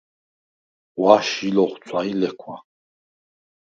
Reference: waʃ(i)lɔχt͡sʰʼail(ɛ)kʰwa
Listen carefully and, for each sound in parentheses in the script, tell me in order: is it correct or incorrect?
correct, correct

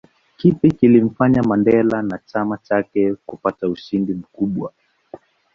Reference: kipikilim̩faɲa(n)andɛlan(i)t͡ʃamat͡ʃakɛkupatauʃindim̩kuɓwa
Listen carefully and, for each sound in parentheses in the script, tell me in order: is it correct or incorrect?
incorrect, incorrect

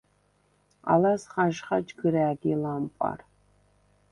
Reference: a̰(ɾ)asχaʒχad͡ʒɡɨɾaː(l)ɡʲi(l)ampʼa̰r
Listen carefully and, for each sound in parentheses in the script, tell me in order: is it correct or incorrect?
incorrect, incorrect, correct

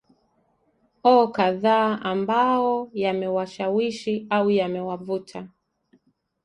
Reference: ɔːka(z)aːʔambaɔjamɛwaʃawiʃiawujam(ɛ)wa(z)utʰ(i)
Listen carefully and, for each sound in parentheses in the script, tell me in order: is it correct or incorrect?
incorrect, correct, incorrect, incorrect

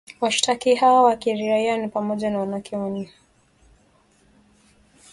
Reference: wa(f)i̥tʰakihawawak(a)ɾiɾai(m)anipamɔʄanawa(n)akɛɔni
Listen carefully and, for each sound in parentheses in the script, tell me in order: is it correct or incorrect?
incorrect, incorrect, incorrect, correct

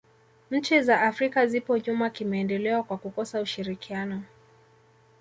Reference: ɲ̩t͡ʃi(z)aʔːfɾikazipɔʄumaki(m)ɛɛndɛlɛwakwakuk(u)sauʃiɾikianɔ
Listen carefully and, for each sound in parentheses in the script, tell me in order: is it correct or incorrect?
correct, correct, incorrect

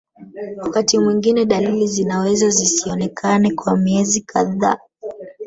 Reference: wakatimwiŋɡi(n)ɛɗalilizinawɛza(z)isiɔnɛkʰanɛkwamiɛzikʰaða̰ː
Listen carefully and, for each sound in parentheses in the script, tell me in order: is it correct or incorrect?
correct, correct

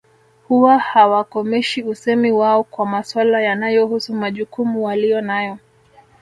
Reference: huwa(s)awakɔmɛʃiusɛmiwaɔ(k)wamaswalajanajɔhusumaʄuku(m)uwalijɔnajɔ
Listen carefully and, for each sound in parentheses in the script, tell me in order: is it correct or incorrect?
incorrect, correct, correct

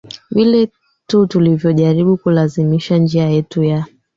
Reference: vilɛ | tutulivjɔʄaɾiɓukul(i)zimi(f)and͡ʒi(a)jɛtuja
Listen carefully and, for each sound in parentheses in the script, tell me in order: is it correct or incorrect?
incorrect, incorrect, correct

